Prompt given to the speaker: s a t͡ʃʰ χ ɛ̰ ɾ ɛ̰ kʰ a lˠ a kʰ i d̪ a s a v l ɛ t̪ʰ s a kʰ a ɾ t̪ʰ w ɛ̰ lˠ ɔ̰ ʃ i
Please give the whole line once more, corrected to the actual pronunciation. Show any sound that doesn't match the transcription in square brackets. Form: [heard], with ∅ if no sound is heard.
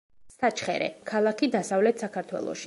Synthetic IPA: s a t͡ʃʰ χ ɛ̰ ɾ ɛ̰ kʰ a lˠ a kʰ i d̪ a s a v l ɛ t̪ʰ s a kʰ a ɾ t̪ʰ w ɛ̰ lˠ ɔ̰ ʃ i